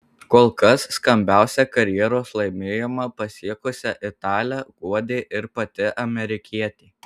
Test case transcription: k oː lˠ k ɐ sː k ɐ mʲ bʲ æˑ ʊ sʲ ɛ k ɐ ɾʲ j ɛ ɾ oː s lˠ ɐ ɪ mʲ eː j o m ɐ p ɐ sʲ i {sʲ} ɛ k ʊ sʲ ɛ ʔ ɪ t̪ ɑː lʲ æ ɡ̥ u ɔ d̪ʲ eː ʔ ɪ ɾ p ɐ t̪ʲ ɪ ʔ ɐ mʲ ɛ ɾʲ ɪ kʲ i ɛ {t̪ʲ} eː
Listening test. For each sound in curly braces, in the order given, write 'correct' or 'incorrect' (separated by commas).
incorrect, correct